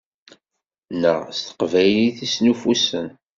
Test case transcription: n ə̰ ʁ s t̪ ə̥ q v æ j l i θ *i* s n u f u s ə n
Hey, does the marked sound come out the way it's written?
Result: yes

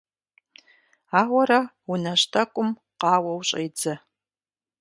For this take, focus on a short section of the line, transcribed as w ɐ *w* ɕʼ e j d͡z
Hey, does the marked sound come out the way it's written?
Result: yes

